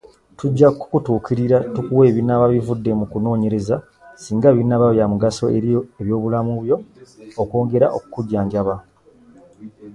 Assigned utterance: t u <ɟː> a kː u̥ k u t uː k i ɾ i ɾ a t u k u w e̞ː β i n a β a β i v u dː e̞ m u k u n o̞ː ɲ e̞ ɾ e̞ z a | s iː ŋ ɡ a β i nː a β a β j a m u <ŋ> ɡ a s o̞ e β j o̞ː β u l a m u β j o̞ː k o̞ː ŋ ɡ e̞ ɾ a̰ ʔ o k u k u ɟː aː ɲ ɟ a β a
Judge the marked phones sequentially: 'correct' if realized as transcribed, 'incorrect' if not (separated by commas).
correct, incorrect